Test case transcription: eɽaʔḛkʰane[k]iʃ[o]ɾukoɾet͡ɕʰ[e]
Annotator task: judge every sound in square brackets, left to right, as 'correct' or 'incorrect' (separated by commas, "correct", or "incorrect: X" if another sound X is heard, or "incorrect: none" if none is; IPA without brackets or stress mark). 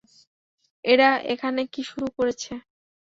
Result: correct, incorrect: u, correct